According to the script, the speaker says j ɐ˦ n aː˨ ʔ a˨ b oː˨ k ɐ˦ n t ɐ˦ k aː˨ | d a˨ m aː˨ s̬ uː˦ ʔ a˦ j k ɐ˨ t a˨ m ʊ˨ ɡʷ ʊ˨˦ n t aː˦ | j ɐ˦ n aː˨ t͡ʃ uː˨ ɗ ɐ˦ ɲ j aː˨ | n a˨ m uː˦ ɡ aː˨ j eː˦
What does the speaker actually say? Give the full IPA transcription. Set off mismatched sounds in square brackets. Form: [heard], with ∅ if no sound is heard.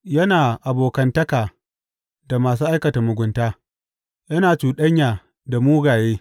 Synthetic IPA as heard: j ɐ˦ n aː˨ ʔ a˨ b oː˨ k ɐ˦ n t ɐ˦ k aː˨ | d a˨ m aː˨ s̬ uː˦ ʔ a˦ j k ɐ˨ t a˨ m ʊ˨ ɡʷ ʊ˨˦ n t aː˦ | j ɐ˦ n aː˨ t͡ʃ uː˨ ɗ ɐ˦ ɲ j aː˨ | [d] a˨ m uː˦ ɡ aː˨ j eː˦

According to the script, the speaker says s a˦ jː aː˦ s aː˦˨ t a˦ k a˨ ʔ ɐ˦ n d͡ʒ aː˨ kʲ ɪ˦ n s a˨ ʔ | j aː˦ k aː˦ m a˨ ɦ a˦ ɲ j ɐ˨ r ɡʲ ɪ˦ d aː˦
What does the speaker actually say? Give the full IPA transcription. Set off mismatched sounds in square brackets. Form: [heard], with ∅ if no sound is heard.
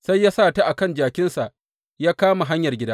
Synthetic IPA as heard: s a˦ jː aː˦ s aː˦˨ t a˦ [ʔ] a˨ [k] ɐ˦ n d͡ʒ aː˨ kʲ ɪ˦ n s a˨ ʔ | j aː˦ k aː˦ m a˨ ɦ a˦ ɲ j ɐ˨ r ɡʲ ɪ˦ d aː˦

